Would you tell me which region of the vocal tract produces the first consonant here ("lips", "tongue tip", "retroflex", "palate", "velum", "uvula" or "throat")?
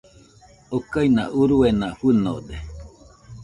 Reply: velum